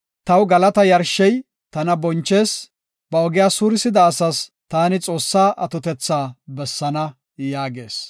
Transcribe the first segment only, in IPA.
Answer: t̪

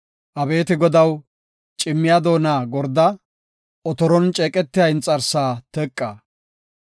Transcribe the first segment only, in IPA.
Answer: ʔ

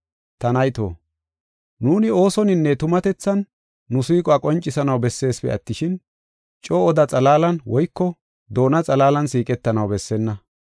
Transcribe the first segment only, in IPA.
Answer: t̪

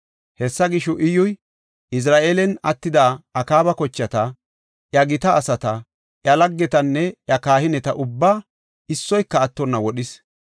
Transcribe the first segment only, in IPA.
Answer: h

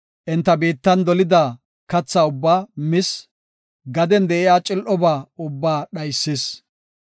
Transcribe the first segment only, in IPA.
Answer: ʔ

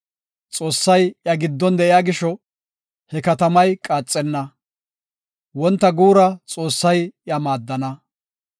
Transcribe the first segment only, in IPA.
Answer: t͡sʼ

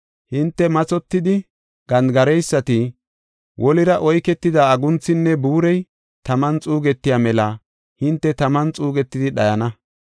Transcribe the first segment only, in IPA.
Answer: h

